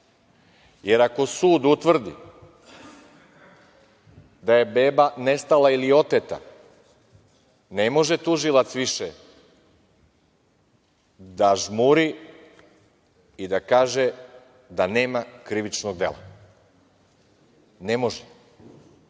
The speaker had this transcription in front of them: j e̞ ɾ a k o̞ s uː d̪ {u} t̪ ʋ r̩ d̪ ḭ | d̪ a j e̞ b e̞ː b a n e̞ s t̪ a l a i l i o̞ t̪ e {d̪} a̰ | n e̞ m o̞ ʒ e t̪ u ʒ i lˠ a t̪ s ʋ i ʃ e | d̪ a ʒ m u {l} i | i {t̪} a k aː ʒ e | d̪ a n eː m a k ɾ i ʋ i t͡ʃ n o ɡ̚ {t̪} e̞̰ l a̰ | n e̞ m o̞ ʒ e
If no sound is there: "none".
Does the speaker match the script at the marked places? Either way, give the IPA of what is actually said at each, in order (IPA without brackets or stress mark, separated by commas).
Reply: u, t̪, ɾ, d̪, d̪